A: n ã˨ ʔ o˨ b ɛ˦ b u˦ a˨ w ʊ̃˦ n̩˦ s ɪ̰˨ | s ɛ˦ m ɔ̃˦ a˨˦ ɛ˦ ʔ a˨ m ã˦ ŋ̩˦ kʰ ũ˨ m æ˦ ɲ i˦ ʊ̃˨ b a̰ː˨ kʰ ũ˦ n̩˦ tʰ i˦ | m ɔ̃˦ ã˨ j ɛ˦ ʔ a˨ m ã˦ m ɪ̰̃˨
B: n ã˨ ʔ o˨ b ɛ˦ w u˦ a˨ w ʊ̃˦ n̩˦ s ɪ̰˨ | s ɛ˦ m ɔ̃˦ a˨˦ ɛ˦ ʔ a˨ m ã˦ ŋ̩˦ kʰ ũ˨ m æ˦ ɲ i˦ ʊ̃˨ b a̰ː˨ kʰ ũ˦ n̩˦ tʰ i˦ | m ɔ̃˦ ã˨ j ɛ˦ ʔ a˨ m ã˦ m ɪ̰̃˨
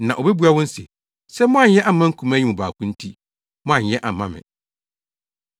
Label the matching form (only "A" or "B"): A